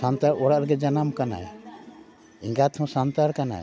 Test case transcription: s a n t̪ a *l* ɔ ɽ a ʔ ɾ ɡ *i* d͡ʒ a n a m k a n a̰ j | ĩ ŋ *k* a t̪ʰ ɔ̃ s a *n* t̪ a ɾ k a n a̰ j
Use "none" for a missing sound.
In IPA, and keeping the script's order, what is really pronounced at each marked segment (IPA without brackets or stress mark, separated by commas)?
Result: ɾ, ɛ, ɡ, n